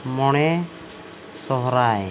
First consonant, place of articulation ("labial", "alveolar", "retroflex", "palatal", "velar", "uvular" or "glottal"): labial